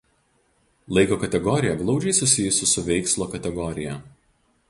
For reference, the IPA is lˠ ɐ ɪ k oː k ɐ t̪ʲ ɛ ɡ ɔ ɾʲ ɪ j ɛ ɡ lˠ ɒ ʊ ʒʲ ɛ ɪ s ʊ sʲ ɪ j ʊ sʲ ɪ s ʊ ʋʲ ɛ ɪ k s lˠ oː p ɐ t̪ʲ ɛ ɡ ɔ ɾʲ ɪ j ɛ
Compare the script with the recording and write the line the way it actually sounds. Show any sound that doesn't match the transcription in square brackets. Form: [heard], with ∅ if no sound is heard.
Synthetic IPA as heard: lˠ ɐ ɪ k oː k ɐ t̪ʲ ɛ ɡ ɔ ɾʲ ɪ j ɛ ɡ lˠ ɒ ʊ [d͡ʒʲ] ɛ ɪ s ʊ sʲ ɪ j ʊ sʲ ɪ s ʊ ʋʲ ɛ ɪ k s lˠ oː [k] ɐ t̪ʲ ɛ ɡ ɔ ɾʲ ɪ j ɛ